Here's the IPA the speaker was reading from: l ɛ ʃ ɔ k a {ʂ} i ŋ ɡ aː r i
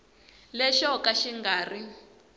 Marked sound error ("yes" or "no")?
yes